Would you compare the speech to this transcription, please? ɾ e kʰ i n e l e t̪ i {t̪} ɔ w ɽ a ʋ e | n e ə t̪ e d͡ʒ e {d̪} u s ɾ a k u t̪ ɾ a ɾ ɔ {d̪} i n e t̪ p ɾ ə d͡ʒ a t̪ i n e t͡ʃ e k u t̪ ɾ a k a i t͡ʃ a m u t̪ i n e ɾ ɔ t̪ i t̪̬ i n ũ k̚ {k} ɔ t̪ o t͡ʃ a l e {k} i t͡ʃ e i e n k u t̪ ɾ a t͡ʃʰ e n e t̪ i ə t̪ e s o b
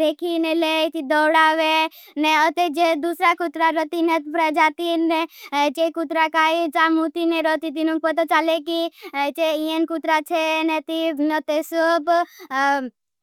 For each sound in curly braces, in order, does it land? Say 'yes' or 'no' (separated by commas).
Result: no, yes, no, no, yes